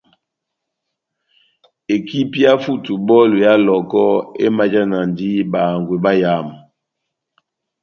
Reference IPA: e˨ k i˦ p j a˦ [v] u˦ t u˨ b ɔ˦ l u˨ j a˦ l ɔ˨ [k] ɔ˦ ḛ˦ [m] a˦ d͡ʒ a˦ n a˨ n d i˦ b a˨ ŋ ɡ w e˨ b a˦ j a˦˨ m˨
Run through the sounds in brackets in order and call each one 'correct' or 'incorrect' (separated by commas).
incorrect, correct, correct